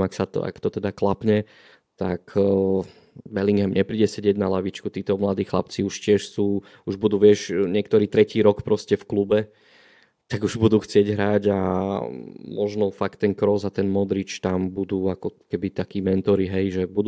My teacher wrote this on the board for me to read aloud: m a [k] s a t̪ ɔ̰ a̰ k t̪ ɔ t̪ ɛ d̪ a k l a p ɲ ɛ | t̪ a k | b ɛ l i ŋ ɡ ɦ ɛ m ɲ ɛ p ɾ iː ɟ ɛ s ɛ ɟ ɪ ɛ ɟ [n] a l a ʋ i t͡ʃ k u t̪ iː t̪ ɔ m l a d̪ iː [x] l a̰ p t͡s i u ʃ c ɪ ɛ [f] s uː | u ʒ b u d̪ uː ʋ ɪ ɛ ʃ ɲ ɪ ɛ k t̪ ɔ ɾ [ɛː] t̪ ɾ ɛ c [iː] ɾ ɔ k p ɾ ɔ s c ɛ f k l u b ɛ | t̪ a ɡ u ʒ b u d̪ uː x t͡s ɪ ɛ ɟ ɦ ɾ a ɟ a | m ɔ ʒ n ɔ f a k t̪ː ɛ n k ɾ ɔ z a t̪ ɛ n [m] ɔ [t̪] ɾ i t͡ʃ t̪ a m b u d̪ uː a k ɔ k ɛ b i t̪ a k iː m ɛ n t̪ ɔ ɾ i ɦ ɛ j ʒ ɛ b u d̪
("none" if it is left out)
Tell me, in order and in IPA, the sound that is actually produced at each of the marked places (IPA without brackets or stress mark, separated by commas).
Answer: k, n, x, ʃ, iː, iː, m, d̪